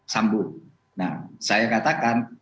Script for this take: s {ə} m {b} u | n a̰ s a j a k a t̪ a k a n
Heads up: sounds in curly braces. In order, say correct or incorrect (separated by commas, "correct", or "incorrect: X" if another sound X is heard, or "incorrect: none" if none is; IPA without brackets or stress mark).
incorrect: a, correct